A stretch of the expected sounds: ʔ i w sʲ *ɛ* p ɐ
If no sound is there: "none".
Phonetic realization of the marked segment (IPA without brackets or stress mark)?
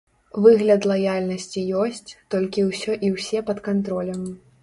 ɛ